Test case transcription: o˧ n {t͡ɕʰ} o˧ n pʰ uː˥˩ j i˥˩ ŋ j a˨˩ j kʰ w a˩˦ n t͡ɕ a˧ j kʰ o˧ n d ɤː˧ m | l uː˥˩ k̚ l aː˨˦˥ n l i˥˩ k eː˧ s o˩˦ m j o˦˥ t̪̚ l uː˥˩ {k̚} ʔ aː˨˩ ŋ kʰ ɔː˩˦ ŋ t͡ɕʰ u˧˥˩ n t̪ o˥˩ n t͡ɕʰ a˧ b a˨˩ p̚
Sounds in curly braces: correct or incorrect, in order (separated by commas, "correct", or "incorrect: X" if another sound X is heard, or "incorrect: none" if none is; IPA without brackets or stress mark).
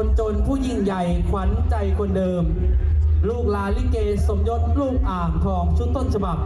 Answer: incorrect: t͡ɕ, correct